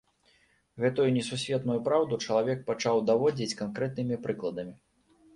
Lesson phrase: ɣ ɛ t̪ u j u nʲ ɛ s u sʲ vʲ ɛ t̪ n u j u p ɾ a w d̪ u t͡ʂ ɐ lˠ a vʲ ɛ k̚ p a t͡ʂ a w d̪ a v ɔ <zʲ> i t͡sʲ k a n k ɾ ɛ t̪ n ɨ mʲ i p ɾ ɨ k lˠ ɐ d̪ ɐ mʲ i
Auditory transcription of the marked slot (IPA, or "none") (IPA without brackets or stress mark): d͡zʲ